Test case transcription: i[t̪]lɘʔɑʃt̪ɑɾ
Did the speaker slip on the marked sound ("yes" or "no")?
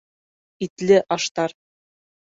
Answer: no